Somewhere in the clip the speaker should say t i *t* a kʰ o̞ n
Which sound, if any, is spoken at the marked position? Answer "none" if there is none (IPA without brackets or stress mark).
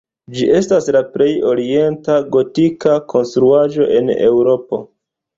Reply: k